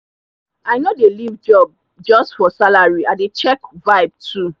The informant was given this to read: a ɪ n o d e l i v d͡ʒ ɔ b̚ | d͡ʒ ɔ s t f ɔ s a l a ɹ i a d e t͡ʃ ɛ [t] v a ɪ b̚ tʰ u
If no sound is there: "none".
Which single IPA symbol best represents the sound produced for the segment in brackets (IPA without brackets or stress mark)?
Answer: k